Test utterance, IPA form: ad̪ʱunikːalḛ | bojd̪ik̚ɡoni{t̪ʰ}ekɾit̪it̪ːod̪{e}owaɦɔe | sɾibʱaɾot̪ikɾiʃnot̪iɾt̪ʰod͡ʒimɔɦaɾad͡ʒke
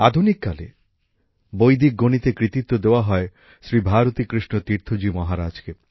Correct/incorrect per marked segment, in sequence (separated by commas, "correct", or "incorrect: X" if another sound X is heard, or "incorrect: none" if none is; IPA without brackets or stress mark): incorrect: t̪, correct